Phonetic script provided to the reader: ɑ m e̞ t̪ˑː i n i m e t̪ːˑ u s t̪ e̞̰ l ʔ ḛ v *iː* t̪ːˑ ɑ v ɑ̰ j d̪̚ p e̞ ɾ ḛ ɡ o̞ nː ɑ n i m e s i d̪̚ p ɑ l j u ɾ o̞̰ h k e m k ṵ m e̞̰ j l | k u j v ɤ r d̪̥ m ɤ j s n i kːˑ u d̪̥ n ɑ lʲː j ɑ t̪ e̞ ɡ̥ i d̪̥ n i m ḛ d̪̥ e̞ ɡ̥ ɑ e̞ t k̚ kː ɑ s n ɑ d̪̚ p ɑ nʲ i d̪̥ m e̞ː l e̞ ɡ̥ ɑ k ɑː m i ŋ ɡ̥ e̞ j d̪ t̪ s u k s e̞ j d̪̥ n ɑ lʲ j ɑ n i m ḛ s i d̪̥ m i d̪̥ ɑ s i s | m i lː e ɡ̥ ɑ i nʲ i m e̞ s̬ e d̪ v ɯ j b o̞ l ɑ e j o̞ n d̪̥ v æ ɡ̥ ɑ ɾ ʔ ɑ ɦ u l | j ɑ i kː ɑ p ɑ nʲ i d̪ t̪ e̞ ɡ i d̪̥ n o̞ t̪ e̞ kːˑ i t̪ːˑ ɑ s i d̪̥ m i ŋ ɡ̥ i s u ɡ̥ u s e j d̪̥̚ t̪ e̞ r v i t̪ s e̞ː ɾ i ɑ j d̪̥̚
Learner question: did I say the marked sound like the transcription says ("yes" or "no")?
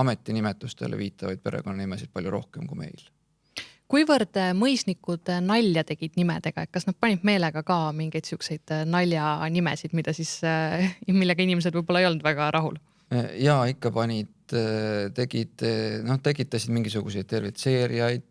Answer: yes